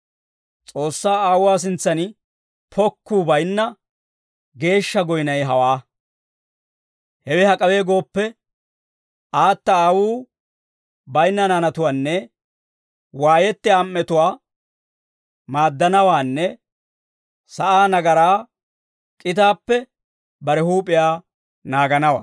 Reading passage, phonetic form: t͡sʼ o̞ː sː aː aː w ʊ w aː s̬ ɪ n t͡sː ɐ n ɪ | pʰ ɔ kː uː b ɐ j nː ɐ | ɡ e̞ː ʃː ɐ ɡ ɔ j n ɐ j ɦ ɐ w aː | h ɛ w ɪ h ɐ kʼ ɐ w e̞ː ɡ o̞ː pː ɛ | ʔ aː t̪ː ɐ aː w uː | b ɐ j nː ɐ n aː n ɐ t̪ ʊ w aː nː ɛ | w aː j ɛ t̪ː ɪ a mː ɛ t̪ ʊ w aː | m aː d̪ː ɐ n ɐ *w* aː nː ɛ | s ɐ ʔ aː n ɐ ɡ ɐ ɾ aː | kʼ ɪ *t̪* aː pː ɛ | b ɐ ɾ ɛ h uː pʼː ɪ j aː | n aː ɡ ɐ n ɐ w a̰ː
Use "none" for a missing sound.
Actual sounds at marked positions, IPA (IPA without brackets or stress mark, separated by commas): w, t̪